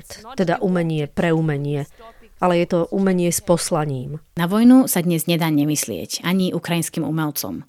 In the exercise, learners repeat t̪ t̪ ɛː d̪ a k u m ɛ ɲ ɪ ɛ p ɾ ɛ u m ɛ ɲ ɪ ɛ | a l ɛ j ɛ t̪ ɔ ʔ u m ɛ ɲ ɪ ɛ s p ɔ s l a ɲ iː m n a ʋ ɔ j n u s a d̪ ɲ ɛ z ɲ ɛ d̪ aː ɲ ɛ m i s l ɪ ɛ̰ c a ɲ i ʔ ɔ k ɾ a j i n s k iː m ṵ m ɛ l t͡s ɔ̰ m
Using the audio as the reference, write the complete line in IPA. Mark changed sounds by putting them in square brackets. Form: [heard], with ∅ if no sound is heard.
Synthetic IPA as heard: t̪ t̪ [ɛ] d̪ a [ʔ] u m ɛ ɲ ɪ ɛ p ɾ ɛ u m ɛ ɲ ɪ ɛ | a l ɛ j ɛ t̪ ɔ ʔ u m ɛ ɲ ɪ ɛ s p ɔ s l a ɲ iː m n a ʋ ɔ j n u s a d̪ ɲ ɛ z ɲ ɛ d̪ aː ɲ ɛ m i s l ɪ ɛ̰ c a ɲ i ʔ [u] k ɾ a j i n s k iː m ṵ m ɛ l t͡s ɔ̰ m